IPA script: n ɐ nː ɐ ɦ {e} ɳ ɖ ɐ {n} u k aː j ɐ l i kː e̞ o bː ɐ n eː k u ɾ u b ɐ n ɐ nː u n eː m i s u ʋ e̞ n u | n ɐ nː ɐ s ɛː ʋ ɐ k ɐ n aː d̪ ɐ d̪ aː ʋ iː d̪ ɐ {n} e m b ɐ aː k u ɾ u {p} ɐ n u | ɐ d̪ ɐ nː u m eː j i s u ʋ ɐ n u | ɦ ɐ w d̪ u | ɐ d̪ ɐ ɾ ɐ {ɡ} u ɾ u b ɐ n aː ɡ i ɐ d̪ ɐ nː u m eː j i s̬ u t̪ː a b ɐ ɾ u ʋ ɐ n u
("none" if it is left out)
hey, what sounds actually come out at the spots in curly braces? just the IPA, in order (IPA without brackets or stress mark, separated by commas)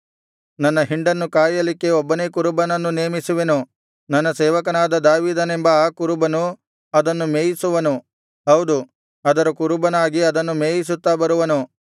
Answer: i, nː, n, b, k